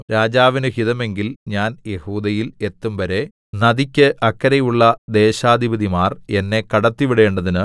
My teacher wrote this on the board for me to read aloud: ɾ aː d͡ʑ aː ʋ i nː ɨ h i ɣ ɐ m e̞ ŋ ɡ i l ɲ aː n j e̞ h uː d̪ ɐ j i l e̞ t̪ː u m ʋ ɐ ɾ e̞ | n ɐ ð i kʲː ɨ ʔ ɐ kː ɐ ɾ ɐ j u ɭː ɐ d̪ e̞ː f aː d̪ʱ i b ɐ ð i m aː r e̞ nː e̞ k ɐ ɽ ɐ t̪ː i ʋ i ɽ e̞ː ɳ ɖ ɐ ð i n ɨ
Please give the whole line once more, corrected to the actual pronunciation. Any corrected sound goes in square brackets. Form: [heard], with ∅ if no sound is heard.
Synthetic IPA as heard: ɾ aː d͡ʑ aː ʋ i [n] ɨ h i [ð] ɐ m e̞ ŋ ɡ i l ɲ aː n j e̞ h uː d̪ ɐ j i l e̞ t̪ː u m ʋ ɐ ɾ e̞ | n ɐ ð i kʲː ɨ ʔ ɐ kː ɐ ɾ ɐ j u ɭː ɐ d̪ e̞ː [ɕ] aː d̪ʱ i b ɐ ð i m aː r e̞ nː e̞ k ɐ ɽ ɐ t̪ː i ʋ i ɽ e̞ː ɳ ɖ ɐ ð i n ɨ

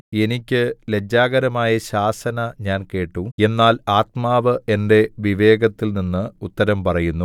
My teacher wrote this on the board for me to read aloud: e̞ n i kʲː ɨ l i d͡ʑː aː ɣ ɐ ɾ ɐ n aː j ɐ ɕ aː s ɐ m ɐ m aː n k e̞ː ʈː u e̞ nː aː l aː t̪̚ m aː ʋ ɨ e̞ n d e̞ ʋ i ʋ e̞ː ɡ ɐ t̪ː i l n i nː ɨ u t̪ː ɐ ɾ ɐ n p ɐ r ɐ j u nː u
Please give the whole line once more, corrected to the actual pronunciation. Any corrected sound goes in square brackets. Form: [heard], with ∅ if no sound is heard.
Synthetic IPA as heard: e̞ n i kʲː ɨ l [e] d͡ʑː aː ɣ ɐ ɾ ɐ [m] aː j ɐ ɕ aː s ɐ [n] ɐ [ɲ] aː n k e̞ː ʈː u e̞ nː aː l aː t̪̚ m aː ʋ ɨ e̞ n d e̞ ʋ i ʋ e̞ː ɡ ɐ t̪ː i l n i nː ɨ u t̪ː ɐ ɾ ɐ [m] p ɐ r ɐ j u nː u

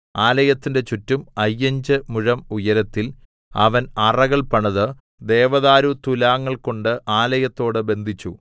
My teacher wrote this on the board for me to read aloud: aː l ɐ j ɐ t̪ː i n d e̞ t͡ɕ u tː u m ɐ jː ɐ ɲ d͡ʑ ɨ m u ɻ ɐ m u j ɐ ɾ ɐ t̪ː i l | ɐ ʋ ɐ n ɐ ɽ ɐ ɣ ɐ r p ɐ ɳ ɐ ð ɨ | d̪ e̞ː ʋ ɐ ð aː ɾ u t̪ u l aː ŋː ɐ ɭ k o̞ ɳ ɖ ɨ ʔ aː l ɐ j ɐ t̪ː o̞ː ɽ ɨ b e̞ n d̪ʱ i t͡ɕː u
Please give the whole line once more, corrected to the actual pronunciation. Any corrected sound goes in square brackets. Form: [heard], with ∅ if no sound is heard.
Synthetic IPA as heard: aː l ɐ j ɐ t̪ː i n d e̞ t͡ɕ u tː u m ɐ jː ɐ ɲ d͡ʑ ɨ m u ɻ ɐ m u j ɐ ɾ ɐ t̪ː i l | ɐ ʋ ɐ n ɐ [r] ɐ ɣ ɐ [ɭ] p ɐ ɳ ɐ ð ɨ | d̪ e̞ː ʋ ɐ ð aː ɾ u t̪ u l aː ŋː ɐ ɭ k o̞ ɳ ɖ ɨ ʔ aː l ɐ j ɐ t̪ː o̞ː ɽ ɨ b e̞ n d̪ʱ i t͡ɕː u

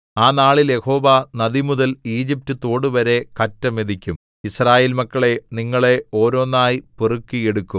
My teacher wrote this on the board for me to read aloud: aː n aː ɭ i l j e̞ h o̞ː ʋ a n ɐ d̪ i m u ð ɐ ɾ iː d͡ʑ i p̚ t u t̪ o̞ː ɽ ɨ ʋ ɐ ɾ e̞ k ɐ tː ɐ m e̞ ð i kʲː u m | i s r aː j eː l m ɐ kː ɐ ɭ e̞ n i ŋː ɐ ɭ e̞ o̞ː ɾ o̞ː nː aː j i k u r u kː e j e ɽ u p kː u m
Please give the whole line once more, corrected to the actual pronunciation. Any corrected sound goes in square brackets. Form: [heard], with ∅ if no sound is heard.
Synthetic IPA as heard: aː n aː ɭ i l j e̞ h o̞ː ʋ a n ɐ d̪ i m u ð ɐ [l] iː d͡ʑ i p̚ t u t̪ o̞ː ɽ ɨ ʋ ɐ ɾ e̞ k ɐ tː ɐ m e̞ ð i kʲː u m | i s r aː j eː l m ɐ kː ɐ ɭ e̞ n i ŋː ɐ ɭ e̞ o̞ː ɾ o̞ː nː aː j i [p] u r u kː [i] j e ɽ u [∅] kː u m

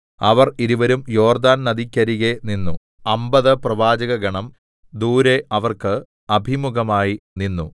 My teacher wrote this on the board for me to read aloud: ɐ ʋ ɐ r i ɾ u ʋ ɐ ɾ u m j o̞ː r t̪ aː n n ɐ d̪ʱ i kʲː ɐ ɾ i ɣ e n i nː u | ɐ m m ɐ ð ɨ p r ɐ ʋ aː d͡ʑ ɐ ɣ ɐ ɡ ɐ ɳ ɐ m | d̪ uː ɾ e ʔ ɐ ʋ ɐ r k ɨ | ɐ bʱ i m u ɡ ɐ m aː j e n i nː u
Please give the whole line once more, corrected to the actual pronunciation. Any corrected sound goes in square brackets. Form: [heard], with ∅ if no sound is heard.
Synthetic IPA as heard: ɐ ʋ ɐ r i ɾ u ʋ ɐ ɾ u m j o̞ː r [d̪] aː n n ɐ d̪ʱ i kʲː ɐ ɾ i ɣ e n i nː u | ɐ m [b] ɐ ð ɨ p r ɐ ʋ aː d͡ʑ ɐ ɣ ɐ ɡ ɐ ɳ ɐ m | d̪ uː ɾ e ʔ ɐ ʋ ɐ r k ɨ | ɐ bʱ i m u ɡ ɐ m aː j [i] n i nː u

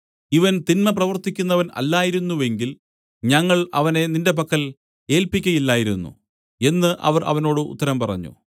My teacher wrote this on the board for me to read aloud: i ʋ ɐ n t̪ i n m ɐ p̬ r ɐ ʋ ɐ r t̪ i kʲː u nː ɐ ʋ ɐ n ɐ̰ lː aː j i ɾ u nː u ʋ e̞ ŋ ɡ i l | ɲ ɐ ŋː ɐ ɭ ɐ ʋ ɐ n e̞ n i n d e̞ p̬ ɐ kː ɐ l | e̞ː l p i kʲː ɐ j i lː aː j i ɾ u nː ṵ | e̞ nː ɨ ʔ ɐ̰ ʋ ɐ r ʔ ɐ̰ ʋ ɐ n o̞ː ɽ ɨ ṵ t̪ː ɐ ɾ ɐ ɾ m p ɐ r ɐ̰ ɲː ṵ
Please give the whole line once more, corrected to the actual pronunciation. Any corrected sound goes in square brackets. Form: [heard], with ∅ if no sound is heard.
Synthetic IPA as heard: i ʋ ɐ n t̪ i n m ɐ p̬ r ɐ ʋ ɐ r t̪ i kʲː u nː ɐ ʋ ɐ n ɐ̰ lː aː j i ɾ u nː u ʋ e̞ ŋ ɡ i l | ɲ ɐ ŋː ɐ ɭ ɐ ʋ ɐ n e̞ n i n d e̞ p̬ ɐ kː ɐ l | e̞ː l p i kʲː ɐ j i lː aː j i ɾ u nː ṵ | e̞ nː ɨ ʔ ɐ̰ ʋ ɐ r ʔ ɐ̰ ʋ ɐ n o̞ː ɽ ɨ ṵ t̪ː ɐ ɾ ɐ [∅] m p ɐ r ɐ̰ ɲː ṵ

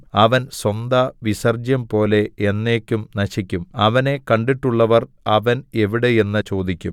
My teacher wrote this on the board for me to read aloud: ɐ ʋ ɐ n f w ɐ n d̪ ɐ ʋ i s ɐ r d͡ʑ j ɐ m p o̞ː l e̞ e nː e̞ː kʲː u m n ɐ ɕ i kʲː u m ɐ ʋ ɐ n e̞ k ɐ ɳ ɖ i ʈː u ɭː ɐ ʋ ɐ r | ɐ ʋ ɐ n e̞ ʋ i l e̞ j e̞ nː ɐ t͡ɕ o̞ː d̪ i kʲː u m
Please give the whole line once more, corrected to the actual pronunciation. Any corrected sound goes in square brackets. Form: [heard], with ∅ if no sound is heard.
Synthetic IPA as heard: ɐ ʋ ɐ n [s] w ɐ n d̪ ɐ ʋ i s ɐ r d͡ʑ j ɐ m p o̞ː l e̞ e nː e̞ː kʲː u m n ɐ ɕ i kʲː u m ɐ ʋ ɐ n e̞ k ɐ ɳ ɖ i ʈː u ɭː ɐ ʋ ɐ r | ɐ ʋ ɐ n e̞ ʋ i [ɽ] e̞ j e̞ nː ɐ t͡ɕ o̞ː d̪ i kʲː u m

